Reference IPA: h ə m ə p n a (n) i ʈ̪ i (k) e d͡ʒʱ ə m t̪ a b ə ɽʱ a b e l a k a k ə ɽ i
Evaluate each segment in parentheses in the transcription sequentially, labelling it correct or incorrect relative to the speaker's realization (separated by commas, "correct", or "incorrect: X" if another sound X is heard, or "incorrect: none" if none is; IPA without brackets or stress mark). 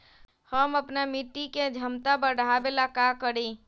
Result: incorrect: m, correct